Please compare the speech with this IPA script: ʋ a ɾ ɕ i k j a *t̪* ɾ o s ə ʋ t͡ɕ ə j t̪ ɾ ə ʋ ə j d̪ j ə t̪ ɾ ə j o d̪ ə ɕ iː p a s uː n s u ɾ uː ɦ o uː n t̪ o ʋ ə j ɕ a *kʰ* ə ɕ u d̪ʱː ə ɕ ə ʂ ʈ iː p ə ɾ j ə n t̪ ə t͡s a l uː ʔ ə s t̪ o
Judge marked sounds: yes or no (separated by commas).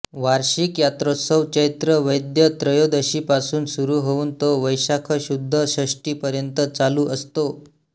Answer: yes, yes